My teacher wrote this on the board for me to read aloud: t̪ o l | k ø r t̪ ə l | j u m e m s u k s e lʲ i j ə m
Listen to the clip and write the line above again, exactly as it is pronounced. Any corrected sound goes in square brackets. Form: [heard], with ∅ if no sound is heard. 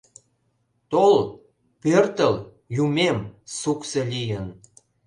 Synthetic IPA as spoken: t̪ o l | [p] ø r t̪ ə l | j u m e m s u k s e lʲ i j ə [n]